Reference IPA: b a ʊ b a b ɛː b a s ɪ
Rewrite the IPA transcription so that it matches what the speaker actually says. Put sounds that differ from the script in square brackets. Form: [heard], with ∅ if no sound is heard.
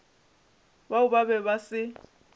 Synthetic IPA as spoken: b a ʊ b a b [ɛ] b a s ɪ